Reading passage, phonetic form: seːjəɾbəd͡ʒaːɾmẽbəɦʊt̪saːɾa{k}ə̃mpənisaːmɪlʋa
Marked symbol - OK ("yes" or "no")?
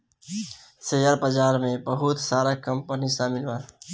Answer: yes